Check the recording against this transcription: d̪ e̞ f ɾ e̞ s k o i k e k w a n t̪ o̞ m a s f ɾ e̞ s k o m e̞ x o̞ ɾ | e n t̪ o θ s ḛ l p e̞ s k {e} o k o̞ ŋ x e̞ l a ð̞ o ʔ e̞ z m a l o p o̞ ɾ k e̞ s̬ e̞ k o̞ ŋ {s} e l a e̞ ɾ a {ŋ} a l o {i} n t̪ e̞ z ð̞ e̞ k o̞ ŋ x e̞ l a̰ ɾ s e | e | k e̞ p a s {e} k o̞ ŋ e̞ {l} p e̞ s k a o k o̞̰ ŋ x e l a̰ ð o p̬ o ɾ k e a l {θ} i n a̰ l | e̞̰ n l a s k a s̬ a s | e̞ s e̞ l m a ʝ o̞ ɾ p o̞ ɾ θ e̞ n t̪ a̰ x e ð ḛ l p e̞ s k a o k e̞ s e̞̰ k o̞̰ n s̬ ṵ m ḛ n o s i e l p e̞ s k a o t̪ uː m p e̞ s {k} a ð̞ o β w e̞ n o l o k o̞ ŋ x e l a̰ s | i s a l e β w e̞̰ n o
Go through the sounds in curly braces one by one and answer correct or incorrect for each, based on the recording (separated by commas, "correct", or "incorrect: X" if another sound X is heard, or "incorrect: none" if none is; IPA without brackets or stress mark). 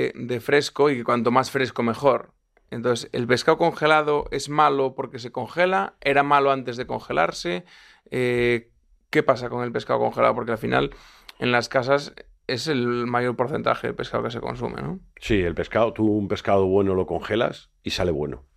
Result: incorrect: a, incorrect: x, incorrect: m, incorrect: a, incorrect: a, correct, incorrect: f, correct